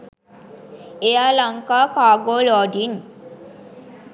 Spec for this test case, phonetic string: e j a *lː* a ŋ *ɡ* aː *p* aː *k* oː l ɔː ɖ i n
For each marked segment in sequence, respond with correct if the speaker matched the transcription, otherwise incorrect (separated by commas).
incorrect, incorrect, incorrect, incorrect